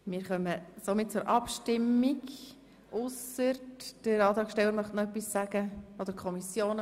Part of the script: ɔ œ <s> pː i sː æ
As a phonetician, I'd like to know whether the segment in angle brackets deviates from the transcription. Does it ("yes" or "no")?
yes